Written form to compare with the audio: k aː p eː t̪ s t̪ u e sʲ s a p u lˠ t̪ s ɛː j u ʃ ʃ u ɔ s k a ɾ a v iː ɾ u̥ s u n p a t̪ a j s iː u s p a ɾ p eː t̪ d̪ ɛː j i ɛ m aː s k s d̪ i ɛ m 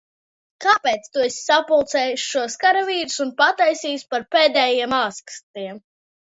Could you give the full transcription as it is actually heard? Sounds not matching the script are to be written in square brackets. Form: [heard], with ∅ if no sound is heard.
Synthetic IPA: k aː p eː t̪ s t̪ u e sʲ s a p u lˠ t̪ s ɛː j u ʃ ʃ u ɔ s k a ɾ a v iː ɾ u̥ s u n p a t̪ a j s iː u s p a ɾ p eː [∅] d̪ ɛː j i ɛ m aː s k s [t̪] i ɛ m

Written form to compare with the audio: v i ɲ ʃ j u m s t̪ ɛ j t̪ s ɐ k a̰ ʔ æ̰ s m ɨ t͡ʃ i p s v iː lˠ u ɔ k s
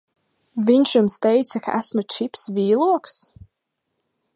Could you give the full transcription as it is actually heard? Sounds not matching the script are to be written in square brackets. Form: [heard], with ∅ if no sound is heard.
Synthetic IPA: v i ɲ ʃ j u m s t̪ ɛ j t̪ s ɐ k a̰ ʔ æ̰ s m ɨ t͡ʃ i p s v iː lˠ u ɔ k s

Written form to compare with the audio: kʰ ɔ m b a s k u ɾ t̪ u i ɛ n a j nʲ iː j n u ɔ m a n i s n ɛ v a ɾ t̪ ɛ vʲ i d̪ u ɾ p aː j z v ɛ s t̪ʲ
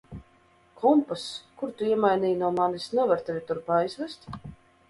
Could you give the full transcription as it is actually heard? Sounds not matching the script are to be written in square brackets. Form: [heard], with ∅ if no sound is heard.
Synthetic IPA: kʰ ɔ m [p] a s k u ɾ t̪ u i ɛ [m] a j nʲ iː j n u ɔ m a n i s n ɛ v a ɾ t̪ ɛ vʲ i [t̪] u ɾ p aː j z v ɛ s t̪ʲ

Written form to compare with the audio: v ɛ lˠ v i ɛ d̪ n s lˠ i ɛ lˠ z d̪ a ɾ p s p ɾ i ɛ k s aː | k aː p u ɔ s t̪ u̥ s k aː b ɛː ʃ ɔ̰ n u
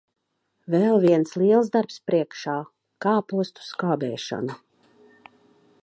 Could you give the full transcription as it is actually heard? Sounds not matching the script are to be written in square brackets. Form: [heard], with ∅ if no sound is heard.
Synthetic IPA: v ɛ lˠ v i ɛ [∅] n s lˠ i ɛ lˠ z d̪ a ɾ p s p ɾ i ɛ k [ʃ] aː | k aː p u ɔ s t̪ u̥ s k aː b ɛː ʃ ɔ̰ n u

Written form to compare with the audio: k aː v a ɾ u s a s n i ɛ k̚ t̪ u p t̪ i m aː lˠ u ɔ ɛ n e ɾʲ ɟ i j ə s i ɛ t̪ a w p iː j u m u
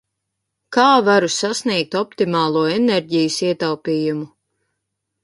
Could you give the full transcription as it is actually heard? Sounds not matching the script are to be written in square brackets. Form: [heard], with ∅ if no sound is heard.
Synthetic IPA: k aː v a ɾ u s a s n i ɛ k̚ t̪ [ɔ] p t̪ i m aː lˠ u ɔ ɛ n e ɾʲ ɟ i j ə s i ɛ t̪ a w p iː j u m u

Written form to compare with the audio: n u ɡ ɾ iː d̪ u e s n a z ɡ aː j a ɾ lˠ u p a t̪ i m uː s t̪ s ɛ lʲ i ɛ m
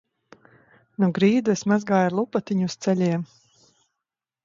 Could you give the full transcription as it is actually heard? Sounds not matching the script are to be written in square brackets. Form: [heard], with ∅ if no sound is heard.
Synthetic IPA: n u ɡ ɾ iː d̪ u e s [m] a z ɡ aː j a ɾ lˠ u p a t̪ i [ɲ] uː s t̪ s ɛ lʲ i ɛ m

